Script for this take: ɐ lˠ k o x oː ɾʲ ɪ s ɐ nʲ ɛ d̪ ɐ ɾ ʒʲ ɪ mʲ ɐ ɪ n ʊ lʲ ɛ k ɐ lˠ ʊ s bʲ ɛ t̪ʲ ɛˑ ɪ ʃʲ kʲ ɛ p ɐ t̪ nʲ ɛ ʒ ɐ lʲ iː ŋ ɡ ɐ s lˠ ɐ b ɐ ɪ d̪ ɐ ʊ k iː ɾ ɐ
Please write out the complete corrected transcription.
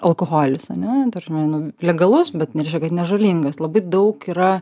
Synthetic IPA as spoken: ɐ lˠ k o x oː lʲ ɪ s ɐ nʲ ɛ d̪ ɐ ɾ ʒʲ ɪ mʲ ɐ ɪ n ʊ lʲ ɛ ɡ ɐ lˠ ʊ s bʲ ɛ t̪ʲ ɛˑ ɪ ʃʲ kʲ ɛ k ɐ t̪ nʲ ɛ ʒ ɐ lʲ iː ŋ ɡ ɐ s lˠ ɐ b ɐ ɪ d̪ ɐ ʊ k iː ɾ ɐ